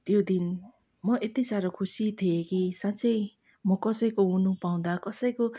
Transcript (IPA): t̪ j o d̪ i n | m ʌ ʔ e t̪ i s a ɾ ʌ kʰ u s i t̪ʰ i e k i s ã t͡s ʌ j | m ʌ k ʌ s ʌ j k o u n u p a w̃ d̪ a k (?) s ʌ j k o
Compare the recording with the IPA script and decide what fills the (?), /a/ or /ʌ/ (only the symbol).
ʌ